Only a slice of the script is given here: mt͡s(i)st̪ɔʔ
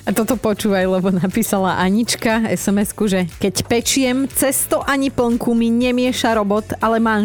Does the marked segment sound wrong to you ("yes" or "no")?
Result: yes